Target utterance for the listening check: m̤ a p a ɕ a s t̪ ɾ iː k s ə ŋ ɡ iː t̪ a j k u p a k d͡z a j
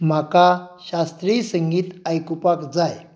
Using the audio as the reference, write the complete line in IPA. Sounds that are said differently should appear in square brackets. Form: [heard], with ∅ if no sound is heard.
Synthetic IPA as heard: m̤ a [k] a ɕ a s t̪ ɾ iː [∅] s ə ŋ ɡ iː t̪ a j k u p a k d͡z a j

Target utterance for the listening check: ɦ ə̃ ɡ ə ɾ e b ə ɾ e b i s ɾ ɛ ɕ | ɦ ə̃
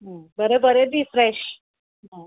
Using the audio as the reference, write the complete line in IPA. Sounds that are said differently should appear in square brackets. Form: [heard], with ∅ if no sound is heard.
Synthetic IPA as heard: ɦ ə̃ [b] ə ɾ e b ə ɾ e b i [f] ɾ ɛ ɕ | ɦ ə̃

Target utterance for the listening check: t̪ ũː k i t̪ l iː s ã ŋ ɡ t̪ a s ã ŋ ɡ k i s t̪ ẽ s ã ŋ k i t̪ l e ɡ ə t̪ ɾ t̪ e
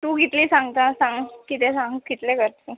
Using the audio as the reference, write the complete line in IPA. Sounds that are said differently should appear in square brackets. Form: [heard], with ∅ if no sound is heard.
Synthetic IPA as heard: t̪ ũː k i t̪ l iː s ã ŋ ɡ t̪ a s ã ŋ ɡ k i [∅] t̪ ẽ s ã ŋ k i t̪ l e [k] ə [∅] ɾ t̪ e

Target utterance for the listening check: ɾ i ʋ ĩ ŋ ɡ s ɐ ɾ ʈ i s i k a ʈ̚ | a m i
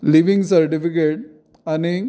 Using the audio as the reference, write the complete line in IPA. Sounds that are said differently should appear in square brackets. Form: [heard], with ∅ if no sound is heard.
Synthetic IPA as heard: [l] i ʋ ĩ ŋ ɡ s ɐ ɾ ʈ i [f] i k [e] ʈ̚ | a [n] i

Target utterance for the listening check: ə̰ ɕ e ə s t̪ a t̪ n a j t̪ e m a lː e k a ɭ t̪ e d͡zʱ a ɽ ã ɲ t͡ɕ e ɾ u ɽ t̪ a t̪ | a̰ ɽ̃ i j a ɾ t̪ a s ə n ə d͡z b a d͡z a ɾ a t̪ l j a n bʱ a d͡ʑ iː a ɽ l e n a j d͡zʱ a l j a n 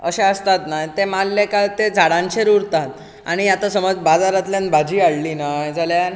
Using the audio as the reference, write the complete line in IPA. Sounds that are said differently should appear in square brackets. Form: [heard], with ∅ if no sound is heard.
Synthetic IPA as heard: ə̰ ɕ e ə s t̪ a t̪ n a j t̪ e m a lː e k a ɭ t̪ e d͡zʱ a ɽ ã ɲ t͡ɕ e ɾ u [ɾ] t̪ a t̪ | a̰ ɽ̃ i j a [∅] t̪ a s ə [m] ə d͡z b a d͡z a ɾ a t̪ l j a n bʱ a d͡ʑ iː a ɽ l [i] n a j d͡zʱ a l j a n

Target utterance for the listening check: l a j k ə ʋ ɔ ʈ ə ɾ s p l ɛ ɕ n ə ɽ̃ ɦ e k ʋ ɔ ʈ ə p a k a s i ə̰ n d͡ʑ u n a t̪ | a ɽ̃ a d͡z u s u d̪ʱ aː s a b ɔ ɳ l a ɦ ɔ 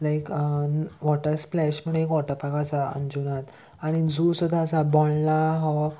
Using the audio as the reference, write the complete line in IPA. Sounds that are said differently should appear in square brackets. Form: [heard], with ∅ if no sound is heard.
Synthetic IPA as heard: l a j k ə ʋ ɔ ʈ ə ɾ s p l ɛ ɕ [m] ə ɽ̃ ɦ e k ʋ ɔ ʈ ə p a k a s [a] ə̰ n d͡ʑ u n a t̪ | a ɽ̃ [i] d͡z u s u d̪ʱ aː s a b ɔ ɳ l a ɦ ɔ

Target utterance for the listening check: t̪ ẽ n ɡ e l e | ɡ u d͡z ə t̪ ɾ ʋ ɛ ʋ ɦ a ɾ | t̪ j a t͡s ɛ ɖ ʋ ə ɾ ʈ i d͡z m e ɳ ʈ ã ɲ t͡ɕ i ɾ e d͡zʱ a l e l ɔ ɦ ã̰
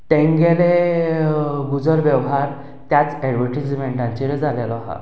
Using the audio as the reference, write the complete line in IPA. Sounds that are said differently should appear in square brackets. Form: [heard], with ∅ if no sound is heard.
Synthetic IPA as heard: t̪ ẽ [ŋ] ɡ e l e | ɡ u d͡z ə [∅] ɾ ʋ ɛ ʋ ɦ a ɾ | t̪ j a t͡s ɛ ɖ ʋ ə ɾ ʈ i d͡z m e ɳ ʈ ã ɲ t͡ɕ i ɾ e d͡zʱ a l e l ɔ ɦ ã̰

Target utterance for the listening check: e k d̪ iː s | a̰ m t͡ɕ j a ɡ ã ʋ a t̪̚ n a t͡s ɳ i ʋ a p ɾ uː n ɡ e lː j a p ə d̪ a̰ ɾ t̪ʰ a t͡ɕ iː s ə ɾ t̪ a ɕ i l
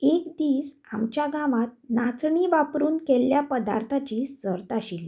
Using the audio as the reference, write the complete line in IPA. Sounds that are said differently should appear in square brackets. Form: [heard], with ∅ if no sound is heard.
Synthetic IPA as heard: e k d̪ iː s | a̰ m t͡ɕ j a ɡ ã ʋ a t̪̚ n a t͡s ɳ i ʋ a p ɾ uː n [k] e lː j a p ə d̪ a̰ ɾ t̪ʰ a t͡ɕ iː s ə ɾ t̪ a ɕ i l

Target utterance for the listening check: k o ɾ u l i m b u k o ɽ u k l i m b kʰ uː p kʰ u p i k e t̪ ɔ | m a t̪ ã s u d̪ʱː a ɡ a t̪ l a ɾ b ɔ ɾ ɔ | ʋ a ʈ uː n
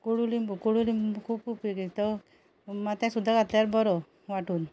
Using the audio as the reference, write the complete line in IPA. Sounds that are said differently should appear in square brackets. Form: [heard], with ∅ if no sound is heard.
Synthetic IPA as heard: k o [ɽ] u l i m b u k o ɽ u [∅] l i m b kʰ uː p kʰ u p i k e t̪ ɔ | m a t̪ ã s u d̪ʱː a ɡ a t̪ l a ɾ b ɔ ɾ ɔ | ʋ a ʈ uː n

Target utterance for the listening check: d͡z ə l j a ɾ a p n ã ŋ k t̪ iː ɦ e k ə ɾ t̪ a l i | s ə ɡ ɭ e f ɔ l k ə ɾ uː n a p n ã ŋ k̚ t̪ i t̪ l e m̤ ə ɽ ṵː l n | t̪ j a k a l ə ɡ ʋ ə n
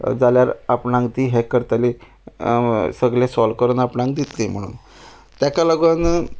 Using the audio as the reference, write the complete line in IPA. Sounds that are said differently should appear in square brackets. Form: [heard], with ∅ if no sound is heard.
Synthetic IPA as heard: d͡z [a] l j a ɾ a p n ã ŋ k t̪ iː ɦ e k ə ɾ t̪ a l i | s ə ɡ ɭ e [s] ɔ l k ə ɾ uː n a p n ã ŋ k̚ [d̪] i t̪ l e m̤ ə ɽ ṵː [∅] n | t̪ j a k a l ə ɡ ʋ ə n

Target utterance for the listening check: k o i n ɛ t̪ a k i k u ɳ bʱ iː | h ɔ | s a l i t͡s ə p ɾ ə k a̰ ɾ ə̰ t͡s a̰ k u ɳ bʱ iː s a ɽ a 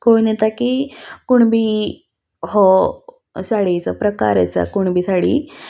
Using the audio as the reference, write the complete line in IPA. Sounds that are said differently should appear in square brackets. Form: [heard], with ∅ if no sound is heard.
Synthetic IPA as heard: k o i n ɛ t̪ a k i k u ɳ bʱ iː | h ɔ | s a [ɽ] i t͡s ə p ɾ ə k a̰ ɾ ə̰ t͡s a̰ k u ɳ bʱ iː s a ɽ [i]

